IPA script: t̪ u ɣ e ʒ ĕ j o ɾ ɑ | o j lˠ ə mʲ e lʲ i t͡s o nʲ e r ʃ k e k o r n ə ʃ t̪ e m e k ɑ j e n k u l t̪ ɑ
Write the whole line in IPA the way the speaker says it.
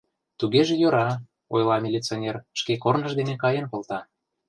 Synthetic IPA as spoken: t̪ u ɣ e ʒ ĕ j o ɾ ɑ | o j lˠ ɑ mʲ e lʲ i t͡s o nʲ e r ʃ k e k o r n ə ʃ d̪ e n e k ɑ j e n k o l t̪ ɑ